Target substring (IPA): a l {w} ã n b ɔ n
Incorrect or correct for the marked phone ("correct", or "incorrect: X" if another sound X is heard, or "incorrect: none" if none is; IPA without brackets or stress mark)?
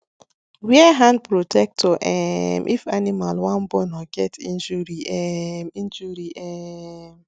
correct